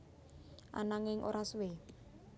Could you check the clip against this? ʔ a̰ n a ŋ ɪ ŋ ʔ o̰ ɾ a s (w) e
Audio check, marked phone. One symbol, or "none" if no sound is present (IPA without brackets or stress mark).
w